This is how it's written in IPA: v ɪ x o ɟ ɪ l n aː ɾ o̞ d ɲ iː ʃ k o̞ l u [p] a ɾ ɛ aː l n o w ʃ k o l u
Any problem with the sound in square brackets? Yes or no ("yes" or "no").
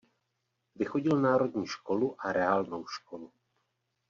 yes